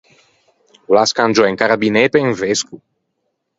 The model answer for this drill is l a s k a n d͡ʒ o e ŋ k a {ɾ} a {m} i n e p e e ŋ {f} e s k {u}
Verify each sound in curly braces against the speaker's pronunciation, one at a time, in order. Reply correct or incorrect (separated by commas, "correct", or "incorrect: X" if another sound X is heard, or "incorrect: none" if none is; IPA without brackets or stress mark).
correct, incorrect: b, incorrect: v, correct